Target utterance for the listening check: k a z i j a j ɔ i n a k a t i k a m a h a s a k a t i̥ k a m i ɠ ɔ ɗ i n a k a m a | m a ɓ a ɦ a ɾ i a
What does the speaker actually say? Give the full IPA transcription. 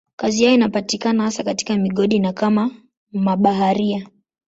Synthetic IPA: k a z i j a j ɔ i n a p a t i k a n a h a s a k a t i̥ k a m i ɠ ɔ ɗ i n a k a m a | m a ɓ a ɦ a ɾ i a